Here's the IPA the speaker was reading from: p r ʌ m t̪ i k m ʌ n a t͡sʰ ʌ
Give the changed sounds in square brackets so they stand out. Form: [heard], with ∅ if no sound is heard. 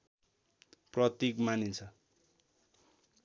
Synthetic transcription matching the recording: p r ʌ [∅] t̪ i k m [a] n [i] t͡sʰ ʌ